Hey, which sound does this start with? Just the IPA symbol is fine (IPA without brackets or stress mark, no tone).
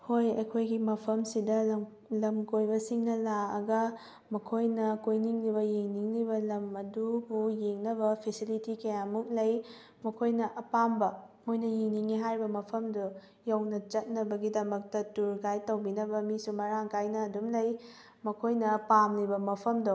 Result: h